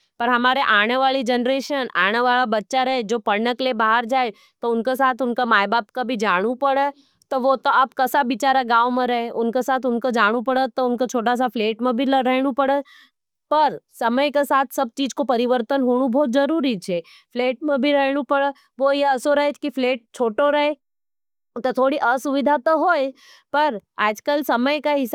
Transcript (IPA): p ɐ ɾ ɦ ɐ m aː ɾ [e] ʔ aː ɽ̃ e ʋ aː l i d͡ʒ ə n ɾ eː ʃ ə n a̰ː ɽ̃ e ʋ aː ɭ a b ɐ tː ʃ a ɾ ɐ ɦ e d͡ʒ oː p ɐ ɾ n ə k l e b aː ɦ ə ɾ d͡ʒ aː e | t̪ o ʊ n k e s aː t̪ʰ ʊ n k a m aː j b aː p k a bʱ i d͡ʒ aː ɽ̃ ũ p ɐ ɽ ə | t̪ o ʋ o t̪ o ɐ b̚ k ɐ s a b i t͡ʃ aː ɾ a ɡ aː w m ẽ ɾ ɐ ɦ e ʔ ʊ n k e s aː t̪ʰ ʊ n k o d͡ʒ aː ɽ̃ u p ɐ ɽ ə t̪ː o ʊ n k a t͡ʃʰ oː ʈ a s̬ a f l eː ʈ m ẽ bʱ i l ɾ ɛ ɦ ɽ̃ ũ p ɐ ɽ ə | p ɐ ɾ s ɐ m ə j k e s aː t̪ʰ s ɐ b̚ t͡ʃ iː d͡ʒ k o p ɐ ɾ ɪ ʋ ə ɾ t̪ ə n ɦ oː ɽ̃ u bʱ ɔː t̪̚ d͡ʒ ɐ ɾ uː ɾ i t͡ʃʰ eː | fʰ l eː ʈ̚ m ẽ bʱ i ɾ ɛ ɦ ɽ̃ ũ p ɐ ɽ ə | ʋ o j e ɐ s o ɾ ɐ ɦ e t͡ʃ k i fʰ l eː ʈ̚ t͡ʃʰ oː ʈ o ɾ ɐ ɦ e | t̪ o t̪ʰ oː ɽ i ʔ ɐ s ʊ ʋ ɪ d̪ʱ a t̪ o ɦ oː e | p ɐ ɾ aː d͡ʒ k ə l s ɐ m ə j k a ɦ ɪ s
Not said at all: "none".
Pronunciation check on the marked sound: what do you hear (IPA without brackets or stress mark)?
e